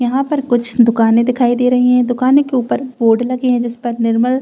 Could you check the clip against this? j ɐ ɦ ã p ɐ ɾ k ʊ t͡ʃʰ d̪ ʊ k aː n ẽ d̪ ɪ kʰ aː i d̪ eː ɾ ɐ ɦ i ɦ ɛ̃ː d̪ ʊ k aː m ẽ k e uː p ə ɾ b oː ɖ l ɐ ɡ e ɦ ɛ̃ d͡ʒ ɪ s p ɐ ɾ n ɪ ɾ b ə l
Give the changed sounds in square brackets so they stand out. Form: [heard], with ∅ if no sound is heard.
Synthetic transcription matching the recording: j ɐ ɦ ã p ɐ ɾ k ʊ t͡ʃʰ d̪ ʊ k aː n ẽ d̪ ɪ kʰ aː i d̪ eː ɾ ɐ ɦ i ɦ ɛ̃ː d̪ ʊ k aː [n] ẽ k e uː p ə ɾ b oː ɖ l ɐ ɡ e ɦ ɛ̃ d͡ʒ ɪ s p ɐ ɾ n ɪ ɾ [m] ə l